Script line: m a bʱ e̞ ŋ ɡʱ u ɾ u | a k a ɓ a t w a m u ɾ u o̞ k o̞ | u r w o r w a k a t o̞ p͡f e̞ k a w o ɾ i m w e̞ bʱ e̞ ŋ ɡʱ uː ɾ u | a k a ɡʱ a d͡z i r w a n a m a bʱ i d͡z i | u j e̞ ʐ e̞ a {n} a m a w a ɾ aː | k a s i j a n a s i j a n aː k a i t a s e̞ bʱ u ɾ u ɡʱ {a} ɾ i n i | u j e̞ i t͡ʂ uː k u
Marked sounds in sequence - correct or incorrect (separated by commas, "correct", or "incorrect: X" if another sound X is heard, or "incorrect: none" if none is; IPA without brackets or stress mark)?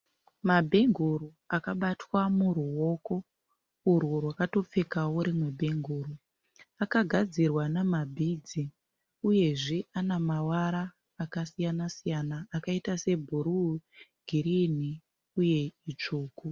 correct, incorrect: i